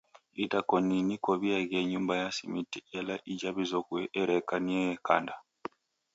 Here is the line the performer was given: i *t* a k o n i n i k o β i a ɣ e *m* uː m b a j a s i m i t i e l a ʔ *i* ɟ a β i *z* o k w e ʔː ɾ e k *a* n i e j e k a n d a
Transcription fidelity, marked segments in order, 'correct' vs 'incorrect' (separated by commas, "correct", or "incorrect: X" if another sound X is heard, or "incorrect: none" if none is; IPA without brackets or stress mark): correct, incorrect: ɲ, correct, correct, correct